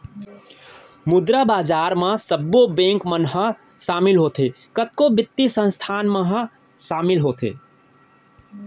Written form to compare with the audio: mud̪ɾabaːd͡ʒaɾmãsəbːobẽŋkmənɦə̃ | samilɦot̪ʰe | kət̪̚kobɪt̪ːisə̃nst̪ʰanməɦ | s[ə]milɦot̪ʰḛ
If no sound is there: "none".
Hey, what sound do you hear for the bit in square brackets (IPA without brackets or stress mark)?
a